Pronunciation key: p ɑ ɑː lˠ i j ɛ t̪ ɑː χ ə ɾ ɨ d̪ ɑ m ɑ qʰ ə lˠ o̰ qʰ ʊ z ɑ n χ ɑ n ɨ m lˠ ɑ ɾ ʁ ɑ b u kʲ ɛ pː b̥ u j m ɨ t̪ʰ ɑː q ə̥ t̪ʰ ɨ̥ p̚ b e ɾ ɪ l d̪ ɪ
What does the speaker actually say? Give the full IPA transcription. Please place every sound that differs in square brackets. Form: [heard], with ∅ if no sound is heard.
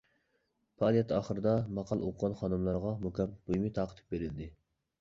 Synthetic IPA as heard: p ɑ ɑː lˠ i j ɛ t̪ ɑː χ ə ɾ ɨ d̪ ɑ m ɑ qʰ [ɑ] lˠ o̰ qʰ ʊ [ʁ] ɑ n χ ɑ n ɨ m lˠ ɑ ɾ ʁ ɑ [m] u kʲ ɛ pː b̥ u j m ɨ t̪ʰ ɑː q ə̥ t̪ʰ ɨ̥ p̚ b e ɾ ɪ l d̪ ɪ